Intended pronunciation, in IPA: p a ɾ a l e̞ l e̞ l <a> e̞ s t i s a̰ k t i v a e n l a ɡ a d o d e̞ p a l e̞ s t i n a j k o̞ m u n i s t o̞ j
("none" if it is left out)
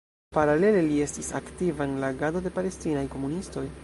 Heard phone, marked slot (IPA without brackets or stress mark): i